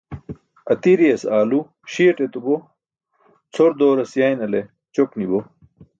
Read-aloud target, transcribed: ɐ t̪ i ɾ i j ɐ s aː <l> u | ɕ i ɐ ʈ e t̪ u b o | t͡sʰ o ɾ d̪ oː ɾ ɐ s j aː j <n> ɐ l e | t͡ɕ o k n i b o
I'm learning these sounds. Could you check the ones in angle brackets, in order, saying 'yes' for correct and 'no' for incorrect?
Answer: yes, yes

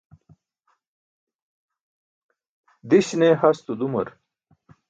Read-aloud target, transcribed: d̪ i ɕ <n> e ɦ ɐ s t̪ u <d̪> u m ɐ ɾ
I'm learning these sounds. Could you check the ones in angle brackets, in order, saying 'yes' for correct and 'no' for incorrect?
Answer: yes, yes

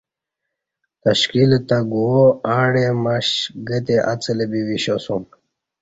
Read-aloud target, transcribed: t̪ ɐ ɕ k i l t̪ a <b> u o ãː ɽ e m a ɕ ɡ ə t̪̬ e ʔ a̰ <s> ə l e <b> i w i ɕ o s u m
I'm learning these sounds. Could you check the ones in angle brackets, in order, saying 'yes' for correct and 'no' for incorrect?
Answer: no, no, yes

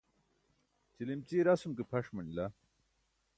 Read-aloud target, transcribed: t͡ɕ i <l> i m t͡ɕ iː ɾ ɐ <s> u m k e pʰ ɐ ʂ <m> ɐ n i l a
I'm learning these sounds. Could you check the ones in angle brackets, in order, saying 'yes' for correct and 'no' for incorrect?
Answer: yes, yes, yes

